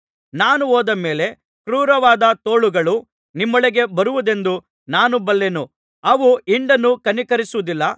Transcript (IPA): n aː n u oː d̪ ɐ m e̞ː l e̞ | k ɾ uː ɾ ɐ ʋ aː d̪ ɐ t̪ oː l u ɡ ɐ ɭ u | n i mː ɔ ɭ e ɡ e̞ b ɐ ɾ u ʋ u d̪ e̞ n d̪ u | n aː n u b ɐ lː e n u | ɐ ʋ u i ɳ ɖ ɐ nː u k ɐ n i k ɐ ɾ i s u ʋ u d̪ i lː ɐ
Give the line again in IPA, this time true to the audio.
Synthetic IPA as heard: n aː n u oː d̪ ɐ m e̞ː l e̞ | k ɾ uː ɾ ɐ ʋ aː d̪ ɐ t̪ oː ɭ u ɡ ɐ ɭ u | n i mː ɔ ɭ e ɡ e̞ b ɐ ɾ u ʋ u d̪ e̞ n d̪ u | n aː n u b ɐ lː e n u | ɐ ʋ u i ɳ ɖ ɐ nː u k ɐ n i k ɐ ɾ i s u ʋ u d̪ i lː ɐ